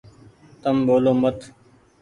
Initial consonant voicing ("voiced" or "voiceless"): voiceless